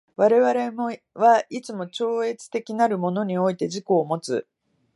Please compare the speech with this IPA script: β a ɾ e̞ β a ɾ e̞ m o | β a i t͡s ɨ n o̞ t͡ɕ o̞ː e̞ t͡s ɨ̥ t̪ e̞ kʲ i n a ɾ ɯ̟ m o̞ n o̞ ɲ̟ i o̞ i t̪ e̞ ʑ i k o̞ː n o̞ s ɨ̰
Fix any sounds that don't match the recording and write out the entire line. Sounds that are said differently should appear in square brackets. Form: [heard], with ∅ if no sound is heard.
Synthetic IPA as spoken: β a ɾ e̞ β a ɾ e̞ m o | β a i t͡s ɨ [m] o̞ t͡ɕ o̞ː e̞ t͡s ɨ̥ t̪ e̞ kʲ i n a ɾ ɯ̟ m o̞ n o̞ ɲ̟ i o̞ i t̪ e̞ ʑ i k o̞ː [m] o̞ [t͡s] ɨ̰